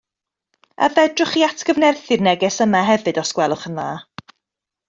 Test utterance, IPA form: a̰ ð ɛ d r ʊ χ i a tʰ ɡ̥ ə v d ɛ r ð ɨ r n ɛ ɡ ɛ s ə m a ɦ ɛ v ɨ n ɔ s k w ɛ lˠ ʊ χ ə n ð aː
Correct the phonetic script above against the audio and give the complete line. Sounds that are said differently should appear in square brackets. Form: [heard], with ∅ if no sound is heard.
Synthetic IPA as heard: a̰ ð ɛ d r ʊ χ i a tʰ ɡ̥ ə v [n] ɛ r [θ] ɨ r n ɛ ɡ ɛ s ə m a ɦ ɛ v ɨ [d] ɔ s k w ɛ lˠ ʊ χ ə n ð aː

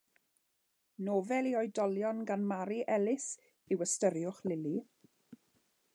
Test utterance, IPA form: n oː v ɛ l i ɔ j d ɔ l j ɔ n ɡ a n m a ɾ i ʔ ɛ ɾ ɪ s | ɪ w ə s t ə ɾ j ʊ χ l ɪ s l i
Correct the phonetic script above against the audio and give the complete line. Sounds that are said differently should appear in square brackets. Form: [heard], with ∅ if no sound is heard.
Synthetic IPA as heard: n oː v ɛ l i ɔ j d ɔ l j ɔ n ɡ a n m a ɾ i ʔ ɛ [l] ɪ s | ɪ w ə s t ə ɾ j ʊ χ l ɪ [∅] l i

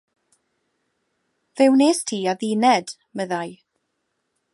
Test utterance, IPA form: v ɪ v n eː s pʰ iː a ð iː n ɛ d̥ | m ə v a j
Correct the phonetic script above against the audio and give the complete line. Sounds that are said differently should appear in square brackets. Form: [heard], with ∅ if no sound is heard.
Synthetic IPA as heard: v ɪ [w] n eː s [tʰ] iː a ð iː n ɛ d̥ | m ə [ð] a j

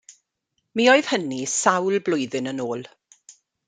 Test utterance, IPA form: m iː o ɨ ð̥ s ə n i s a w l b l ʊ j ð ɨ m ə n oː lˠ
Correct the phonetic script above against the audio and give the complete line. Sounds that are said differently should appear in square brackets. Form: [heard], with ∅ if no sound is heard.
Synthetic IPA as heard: m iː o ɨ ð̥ [h] ə n i s a w l b l ʊ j ð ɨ [n] ə n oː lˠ

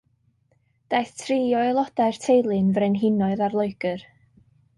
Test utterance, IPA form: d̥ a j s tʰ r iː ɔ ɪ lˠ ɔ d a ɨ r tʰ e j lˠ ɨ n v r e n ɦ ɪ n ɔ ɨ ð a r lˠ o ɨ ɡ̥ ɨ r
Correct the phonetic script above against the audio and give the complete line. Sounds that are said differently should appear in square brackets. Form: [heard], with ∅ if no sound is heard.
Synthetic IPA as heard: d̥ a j [θ] tʰ r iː ɔ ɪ lˠ ɔ d a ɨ r tʰ e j lˠ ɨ n v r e n ɦ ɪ n ɔ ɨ ð a r lˠ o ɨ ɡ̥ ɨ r

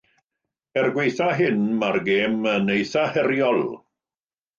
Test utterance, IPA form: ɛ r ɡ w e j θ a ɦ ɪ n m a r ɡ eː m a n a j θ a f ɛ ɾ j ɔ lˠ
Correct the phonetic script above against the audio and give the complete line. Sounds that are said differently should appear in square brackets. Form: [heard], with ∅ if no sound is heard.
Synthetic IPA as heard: ɛ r ɡ w e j θ a ɦ ɪ n m a r ɡ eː m [ə] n [e] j θ a [h] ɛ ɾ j ɔ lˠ

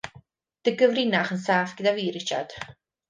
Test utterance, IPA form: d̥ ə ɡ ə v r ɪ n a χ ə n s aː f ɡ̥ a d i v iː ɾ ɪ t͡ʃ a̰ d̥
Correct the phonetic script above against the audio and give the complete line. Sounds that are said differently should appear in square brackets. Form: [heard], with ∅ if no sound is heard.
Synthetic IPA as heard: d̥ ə ɡ ə v r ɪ n a χ ə n s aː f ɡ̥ [ə] d [a] v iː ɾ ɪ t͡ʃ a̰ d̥

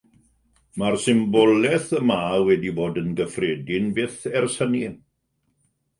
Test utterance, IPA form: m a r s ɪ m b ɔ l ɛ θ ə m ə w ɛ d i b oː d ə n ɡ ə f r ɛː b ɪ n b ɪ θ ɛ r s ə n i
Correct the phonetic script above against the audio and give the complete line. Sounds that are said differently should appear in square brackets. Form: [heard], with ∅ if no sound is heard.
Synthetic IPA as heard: m a r s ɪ m b ɔ l ɛ θ ə m [a] w ɛ d i b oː d ə n ɡ ə f r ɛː [d] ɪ n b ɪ θ ɛ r s ə n i

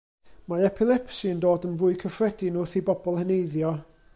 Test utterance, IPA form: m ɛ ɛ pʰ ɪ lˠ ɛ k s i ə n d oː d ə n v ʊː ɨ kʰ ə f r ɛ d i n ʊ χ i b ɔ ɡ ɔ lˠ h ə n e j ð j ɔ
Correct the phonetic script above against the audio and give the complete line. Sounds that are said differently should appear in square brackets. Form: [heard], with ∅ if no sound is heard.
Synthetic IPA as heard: m [a] ɛ pʰ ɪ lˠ ɛ [p] s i ə n d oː d ə n v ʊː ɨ kʰ ə f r ɛ d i n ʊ [θ] i b ɔ [b] ɔ lˠ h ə n e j ð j ɔ

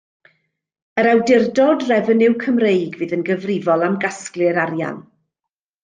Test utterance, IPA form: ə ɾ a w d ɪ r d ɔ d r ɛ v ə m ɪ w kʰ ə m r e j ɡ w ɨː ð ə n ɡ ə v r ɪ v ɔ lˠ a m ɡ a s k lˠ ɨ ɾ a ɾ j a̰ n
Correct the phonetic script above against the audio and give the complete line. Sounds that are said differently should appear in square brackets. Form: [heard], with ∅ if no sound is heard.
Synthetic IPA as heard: ə ɾ a w d ɪ r d ɔ d r ɛ v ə [n] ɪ w kʰ ə m r e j ɡ [v] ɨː ð ə n ɡ ə v r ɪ v ɔ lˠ a m ɡ a s k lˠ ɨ ɾ a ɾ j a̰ n

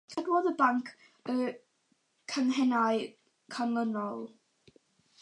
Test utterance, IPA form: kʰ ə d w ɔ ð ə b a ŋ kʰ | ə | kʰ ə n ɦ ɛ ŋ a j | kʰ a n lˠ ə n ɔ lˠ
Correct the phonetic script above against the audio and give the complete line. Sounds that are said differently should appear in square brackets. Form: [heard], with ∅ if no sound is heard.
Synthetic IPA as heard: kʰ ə d w ɔ ð ə b a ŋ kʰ | ə | kʰ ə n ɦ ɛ [n] a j | kʰ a n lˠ ə n ɔ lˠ

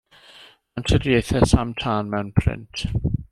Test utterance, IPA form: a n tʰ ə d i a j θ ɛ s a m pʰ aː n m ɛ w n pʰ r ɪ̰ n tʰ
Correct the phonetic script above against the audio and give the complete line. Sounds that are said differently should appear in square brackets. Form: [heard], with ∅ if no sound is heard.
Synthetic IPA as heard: a n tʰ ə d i [e] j θ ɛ s a m [tʰ] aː n m ɛ w n pʰ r ɪ̰ n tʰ

